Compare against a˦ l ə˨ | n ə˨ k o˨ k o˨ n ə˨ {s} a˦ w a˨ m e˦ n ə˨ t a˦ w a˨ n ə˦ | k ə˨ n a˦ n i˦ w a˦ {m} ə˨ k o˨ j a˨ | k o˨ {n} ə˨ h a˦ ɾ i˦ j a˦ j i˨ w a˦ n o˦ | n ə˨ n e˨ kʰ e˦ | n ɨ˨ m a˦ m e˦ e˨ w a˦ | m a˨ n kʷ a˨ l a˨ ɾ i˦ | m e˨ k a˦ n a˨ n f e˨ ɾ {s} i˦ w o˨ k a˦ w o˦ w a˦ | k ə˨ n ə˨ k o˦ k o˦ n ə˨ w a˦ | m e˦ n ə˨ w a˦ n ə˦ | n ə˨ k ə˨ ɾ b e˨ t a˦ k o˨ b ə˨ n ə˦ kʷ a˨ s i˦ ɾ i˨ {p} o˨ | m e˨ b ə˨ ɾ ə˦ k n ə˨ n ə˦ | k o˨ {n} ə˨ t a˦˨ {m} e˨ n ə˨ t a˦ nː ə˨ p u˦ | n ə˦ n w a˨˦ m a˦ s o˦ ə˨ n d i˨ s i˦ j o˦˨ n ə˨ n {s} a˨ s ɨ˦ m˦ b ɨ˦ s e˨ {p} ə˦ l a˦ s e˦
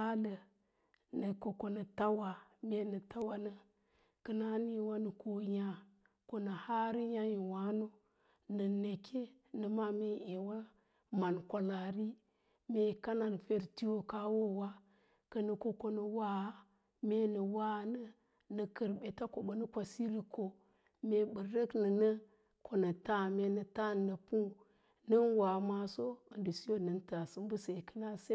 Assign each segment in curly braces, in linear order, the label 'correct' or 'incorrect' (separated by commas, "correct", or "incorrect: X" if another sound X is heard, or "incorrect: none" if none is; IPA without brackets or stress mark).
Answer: incorrect: t, incorrect: n, correct, incorrect: t, incorrect: k, correct, correct, incorrect: t, incorrect: k